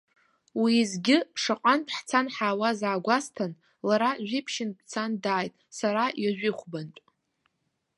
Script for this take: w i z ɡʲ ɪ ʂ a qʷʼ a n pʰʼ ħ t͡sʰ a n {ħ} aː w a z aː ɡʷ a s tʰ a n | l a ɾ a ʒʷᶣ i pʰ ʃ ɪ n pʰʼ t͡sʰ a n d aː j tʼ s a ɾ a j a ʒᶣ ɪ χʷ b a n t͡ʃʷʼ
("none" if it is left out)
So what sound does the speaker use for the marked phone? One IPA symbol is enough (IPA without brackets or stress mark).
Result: ħ